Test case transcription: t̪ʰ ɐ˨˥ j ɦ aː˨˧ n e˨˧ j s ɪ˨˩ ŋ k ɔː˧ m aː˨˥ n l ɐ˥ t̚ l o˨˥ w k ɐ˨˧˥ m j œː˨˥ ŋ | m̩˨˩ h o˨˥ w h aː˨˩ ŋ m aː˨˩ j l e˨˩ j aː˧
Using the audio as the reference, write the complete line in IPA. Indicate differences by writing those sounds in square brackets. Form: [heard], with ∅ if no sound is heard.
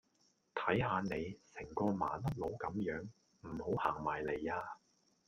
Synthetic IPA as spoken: t̪ʰ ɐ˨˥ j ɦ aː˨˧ n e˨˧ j s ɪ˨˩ ŋ k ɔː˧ m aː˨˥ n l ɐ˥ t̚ l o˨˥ w k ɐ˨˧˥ m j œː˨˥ ŋ | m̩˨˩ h o˨˥ w h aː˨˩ ŋ m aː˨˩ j l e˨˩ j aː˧